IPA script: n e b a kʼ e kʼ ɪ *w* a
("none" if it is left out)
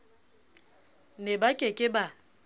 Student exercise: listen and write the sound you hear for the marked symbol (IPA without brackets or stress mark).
b